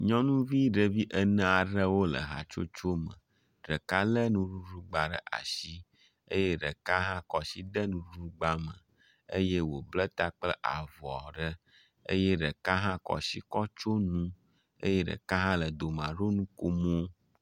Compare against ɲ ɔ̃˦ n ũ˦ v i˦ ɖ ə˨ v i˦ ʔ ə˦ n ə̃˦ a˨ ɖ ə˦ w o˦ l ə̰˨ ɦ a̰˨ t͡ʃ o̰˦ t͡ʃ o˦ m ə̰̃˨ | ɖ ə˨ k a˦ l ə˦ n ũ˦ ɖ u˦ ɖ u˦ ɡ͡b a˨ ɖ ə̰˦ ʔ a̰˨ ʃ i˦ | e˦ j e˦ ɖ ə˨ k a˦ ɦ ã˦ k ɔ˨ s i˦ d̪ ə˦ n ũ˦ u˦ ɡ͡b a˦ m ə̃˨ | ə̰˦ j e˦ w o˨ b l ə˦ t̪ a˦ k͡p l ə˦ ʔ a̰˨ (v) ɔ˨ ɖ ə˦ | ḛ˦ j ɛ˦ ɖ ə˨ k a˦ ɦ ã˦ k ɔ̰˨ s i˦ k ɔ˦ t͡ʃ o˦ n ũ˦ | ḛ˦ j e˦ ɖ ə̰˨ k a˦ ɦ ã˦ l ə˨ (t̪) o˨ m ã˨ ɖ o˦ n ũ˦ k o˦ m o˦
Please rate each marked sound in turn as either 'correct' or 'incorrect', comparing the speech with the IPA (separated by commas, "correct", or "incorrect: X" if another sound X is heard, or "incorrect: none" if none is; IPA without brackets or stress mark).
correct, incorrect: d̪